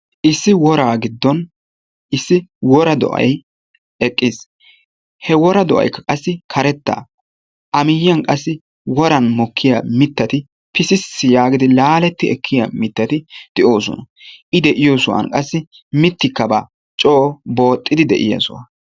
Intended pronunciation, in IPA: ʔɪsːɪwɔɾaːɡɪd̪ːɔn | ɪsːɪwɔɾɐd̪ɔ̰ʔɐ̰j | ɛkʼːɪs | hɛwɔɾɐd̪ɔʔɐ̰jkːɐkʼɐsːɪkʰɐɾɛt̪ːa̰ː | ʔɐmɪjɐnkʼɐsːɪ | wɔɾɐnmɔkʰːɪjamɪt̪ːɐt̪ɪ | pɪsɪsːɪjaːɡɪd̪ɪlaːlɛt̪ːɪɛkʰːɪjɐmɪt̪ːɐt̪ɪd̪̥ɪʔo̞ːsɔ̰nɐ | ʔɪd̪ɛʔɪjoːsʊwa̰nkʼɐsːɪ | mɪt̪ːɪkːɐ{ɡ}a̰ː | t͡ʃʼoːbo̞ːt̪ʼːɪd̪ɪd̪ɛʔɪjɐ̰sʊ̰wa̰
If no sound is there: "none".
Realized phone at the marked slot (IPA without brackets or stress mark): b